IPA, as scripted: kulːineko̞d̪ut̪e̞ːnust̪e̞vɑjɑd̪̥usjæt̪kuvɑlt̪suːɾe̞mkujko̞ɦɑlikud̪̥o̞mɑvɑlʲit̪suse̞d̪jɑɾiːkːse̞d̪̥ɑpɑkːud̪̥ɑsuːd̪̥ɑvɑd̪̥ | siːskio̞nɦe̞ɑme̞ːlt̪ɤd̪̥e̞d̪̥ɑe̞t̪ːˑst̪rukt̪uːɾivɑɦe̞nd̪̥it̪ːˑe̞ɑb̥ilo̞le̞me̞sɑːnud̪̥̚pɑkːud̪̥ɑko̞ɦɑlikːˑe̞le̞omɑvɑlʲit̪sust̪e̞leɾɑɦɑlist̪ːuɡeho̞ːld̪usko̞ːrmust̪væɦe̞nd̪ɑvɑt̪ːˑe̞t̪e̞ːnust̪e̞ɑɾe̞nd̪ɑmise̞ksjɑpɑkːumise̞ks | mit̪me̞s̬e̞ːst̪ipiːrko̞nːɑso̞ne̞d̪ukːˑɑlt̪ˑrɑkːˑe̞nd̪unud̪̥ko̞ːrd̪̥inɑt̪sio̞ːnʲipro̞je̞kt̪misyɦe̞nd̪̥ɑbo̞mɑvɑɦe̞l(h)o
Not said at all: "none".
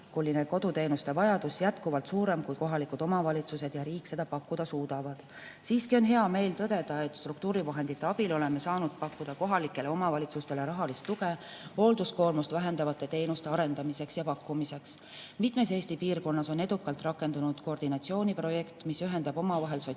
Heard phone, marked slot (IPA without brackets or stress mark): s